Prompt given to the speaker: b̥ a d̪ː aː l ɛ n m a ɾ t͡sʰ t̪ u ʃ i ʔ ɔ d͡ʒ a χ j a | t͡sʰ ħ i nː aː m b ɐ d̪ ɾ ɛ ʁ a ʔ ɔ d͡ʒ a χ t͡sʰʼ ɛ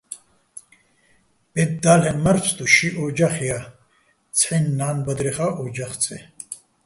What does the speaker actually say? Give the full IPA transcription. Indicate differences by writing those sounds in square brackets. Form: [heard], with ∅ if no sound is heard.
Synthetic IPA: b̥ [ɛ] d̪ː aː l ɛ n m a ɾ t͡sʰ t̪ u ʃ i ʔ ɔ d͡ʒ a χ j a | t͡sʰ ħ i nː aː [n] b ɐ d̪ ɾ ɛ [χ] a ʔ ɔ d͡ʒ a χ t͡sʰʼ ɛ